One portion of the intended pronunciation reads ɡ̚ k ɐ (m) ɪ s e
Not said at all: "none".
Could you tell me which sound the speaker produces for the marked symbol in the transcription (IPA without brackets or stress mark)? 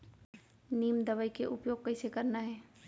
none